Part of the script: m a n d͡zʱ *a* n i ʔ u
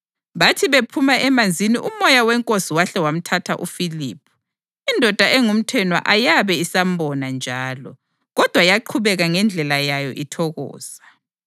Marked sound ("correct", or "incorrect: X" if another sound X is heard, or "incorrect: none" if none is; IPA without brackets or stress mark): incorrect: i